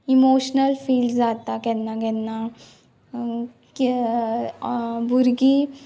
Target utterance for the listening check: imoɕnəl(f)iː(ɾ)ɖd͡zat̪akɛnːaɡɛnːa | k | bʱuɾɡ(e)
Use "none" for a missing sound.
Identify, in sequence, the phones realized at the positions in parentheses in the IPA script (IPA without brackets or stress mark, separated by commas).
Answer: f, l, i